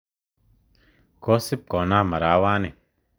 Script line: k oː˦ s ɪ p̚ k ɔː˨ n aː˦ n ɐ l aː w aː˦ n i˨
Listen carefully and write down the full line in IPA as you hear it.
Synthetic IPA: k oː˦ s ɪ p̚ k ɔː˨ n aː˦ m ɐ ɾ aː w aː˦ n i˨